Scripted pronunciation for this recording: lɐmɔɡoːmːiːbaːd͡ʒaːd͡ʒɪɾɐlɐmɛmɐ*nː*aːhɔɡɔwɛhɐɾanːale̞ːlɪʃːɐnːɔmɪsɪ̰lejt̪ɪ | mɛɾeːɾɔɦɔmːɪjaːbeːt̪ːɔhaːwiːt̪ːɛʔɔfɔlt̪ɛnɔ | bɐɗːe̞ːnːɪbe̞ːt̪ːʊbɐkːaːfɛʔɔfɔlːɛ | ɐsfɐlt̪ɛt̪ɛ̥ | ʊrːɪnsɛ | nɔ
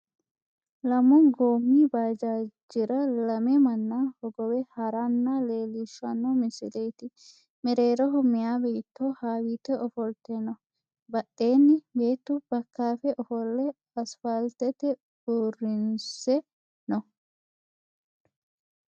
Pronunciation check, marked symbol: correct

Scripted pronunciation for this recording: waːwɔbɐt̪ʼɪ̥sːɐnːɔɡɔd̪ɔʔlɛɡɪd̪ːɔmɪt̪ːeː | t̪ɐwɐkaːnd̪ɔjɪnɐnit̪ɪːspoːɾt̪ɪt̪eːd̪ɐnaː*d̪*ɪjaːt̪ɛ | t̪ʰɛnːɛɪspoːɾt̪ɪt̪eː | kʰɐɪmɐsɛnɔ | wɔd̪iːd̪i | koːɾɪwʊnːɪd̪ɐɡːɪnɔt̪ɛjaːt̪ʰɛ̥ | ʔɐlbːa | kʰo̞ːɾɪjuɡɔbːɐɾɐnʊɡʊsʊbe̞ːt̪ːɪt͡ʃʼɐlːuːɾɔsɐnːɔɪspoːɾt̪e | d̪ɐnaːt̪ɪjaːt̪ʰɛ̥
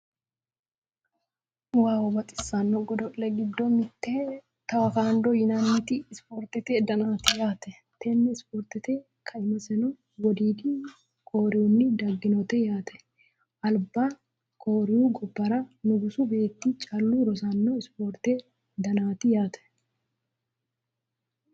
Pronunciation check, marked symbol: incorrect: t̪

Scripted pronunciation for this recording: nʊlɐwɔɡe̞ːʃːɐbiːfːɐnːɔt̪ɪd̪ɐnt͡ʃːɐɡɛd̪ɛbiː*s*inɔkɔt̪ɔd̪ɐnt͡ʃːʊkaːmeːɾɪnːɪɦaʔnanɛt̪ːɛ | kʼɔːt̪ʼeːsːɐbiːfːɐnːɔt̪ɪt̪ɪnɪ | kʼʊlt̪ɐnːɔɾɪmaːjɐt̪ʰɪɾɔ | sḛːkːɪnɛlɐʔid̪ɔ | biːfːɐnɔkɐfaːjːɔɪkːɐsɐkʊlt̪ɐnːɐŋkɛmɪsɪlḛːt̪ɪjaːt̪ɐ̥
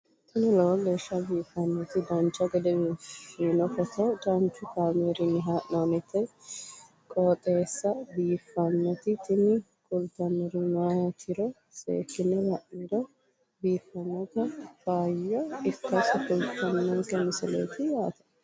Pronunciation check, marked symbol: incorrect: f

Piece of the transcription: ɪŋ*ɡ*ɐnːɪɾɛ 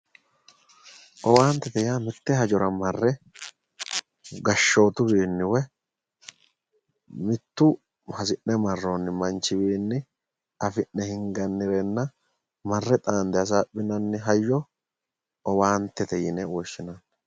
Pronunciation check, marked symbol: correct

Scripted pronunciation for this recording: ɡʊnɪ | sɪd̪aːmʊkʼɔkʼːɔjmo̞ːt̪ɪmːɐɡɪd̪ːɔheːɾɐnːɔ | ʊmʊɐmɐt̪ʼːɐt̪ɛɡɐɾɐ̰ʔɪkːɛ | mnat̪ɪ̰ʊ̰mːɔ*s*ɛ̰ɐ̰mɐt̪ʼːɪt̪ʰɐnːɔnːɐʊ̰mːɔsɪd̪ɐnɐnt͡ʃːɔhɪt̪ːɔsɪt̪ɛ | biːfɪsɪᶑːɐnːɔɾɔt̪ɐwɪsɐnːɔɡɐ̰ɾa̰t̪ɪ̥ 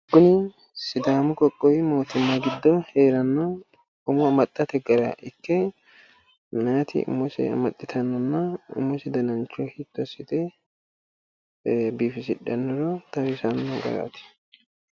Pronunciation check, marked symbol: correct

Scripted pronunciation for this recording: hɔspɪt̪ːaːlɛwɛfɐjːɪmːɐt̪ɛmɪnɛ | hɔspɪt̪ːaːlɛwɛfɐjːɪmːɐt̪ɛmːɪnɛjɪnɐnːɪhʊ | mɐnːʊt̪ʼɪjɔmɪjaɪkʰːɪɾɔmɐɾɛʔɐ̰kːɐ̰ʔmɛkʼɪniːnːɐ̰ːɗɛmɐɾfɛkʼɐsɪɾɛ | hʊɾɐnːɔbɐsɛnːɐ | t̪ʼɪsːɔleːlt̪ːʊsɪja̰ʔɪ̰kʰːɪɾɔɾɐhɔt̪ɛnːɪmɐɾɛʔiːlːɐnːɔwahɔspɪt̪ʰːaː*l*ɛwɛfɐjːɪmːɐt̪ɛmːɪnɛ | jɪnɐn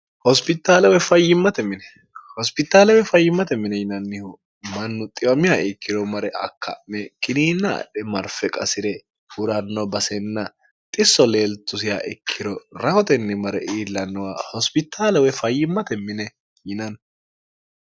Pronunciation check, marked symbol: correct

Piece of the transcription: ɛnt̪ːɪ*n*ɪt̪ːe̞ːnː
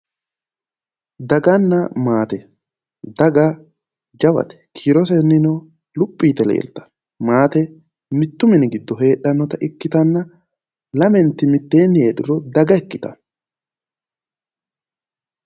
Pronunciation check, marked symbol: incorrect: m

